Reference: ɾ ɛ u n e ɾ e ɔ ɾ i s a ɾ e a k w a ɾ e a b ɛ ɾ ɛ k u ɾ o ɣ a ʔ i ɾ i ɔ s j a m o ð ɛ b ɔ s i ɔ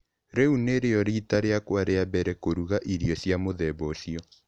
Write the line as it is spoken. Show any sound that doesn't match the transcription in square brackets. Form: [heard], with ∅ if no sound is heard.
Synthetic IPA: ɾ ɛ u n e ɾ e ɔ ɾ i [t] a ɾ e a k w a ɾ e a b ɛ ɾ ɛ k [o] ɾ [u] ɣ a ʔ i ɾ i ɔ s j a m o ð ɛ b ɔ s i ɔ

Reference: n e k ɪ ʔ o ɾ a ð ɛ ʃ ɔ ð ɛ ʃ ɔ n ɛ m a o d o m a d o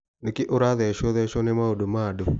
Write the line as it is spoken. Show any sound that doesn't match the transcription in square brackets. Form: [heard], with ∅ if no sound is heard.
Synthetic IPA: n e k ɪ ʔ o ɾ a ð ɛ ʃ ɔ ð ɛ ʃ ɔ n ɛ m a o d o m a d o

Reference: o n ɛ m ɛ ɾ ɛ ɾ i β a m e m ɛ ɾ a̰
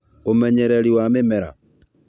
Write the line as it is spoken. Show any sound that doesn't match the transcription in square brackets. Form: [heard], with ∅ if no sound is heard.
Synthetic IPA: o [m] ɛ [ɲ] ɛ ɾ ɛ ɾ i [w] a m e m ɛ ɾ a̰

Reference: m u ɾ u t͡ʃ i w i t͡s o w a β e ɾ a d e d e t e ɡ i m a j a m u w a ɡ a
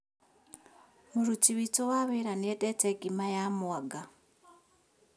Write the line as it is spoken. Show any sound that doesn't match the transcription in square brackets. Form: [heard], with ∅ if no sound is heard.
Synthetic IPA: m u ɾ u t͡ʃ i [β] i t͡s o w a β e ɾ a [n] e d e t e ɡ i m a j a m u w a ɡ a

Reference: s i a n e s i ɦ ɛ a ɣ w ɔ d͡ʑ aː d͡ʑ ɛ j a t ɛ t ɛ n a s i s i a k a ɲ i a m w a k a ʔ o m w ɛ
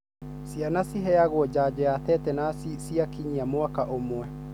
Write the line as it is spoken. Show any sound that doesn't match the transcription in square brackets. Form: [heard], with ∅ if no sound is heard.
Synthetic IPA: s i a n [a] s i ɦ ɛ a ɣ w ɔ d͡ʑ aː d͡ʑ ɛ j a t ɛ t ɛ n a s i s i a k [i] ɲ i a m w a k a ʔ o m w ɛ

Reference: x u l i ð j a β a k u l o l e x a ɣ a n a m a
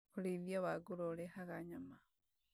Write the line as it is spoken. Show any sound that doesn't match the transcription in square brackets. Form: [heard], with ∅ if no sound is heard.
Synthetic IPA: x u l i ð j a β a [ɡ] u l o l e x a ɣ a [ɲ] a m a

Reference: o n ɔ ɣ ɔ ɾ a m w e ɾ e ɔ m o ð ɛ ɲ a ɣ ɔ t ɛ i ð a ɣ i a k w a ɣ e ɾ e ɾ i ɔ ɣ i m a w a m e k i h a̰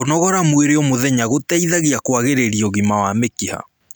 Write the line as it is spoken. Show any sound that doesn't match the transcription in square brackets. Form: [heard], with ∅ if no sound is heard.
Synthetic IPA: o n ɔ ɣ ɔ ɾ a m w e ɾ e ɔ m o ð ɛ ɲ a ɣ [o] t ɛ i ð a ɣ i a k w a ɣ e ɾ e ɾ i ɔ ɣ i m a w a m e k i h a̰

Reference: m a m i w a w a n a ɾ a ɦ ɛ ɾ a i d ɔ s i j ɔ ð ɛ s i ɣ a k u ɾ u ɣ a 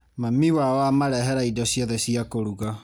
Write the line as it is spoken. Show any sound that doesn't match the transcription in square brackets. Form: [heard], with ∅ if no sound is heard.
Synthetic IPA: m a m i w a w a [m] a ɾ [ɛ] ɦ ɛ ɾ a i d ɔ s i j ɔ ð ɛ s i [∅] a k [o] ɾ u ɣ a

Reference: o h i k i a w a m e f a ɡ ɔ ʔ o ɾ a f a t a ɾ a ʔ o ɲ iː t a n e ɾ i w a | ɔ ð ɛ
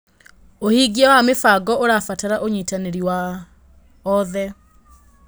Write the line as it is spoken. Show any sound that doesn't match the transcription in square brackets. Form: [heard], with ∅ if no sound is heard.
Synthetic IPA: o h i [ɡ] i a w a m e f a ɡ ɔ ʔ o ɾ a f a t a ɾ a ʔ o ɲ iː t a n e ɾ i w a | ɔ ð ɛ

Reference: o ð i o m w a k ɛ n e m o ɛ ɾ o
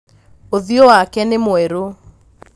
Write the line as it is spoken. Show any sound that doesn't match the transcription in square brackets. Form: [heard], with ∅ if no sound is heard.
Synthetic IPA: o ð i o [∅] w a k ɛ n e m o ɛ ɾ o

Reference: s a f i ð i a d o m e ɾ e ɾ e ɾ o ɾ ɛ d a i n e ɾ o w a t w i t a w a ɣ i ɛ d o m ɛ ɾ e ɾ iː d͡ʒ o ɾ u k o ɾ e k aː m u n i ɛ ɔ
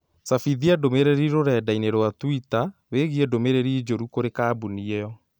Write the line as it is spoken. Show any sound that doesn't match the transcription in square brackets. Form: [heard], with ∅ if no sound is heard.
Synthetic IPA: s a f i ð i a d o m e ɾ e ɾ [i] ɾ o ɾ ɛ d a i n e ɾ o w a t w i t a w [e] ɣ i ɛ d o m [e] ɾ e ɾ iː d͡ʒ o ɾ u k o ɾ e k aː [b] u n i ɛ ɔ

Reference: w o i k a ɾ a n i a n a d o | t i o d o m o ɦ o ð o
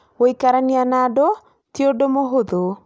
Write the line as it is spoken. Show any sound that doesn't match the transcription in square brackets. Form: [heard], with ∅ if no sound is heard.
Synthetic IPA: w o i k a ɾ a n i a n a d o | t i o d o m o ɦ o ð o

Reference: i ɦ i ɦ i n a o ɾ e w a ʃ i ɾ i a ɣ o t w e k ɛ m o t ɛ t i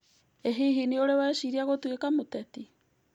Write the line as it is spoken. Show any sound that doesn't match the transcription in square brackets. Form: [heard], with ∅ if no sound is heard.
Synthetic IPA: [e] ɦ i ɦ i n [i] o ɾ e w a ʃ i ɾ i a ɣ o t w e k [a] m o t ɛ t i

